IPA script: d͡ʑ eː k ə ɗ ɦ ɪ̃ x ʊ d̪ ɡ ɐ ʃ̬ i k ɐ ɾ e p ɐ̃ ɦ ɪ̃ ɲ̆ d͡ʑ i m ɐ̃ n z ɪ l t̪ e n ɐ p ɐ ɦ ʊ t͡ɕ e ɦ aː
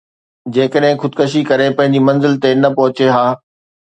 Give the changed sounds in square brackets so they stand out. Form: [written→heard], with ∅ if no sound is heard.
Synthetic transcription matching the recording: d͡ʑ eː k ə ɗ ɦ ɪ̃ x ʊ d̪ [ɡ→k] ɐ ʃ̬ i k ɐ ɾ e p ɐ̃ ɦ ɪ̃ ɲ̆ d͡ʑ i m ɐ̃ n z ɪ l t̪ e n ɐ p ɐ ɦ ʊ t͡ɕ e ɦ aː